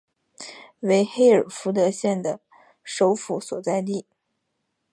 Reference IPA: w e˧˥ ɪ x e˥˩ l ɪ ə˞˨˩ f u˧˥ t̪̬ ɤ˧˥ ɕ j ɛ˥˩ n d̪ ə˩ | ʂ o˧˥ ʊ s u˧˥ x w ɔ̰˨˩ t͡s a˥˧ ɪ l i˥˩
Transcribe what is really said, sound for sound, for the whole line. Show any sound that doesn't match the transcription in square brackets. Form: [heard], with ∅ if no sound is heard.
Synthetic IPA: w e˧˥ ɪ x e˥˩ [∅] ɪ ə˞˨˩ f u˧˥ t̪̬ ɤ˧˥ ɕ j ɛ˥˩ n d̪ ə˩ | ʂ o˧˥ ʊ [f] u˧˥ [s] w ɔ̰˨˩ t͡s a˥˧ ɪ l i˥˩